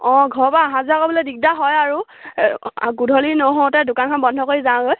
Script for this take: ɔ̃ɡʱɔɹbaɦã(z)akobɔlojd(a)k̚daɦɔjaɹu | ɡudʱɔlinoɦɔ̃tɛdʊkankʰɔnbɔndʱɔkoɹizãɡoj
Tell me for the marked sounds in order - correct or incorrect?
correct, incorrect: i

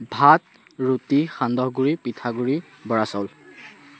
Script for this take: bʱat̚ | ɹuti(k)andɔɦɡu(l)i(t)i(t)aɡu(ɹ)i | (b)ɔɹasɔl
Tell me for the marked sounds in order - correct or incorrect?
incorrect: x, incorrect: ɹ, incorrect: p, incorrect: tʰ, correct, correct

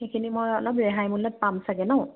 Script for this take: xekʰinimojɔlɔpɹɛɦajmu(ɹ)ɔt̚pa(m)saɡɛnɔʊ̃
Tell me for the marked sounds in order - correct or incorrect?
incorrect: l, correct

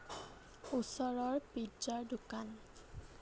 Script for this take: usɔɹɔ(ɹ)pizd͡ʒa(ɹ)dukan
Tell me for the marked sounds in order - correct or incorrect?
correct, correct

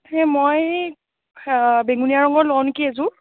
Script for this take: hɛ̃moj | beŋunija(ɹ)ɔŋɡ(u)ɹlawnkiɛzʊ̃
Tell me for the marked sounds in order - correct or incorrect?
correct, incorrect: ɔ

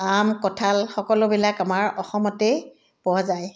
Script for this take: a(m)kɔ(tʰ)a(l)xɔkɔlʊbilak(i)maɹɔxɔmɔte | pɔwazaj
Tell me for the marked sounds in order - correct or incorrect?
correct, correct, correct, incorrect: a

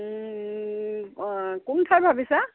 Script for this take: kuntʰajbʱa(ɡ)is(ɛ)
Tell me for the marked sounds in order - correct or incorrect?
incorrect: b, incorrect: a

